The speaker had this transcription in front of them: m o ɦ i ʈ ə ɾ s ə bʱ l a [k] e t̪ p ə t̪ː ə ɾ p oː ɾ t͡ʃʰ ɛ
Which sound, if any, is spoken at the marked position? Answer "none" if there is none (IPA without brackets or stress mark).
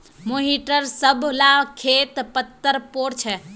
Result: kʰ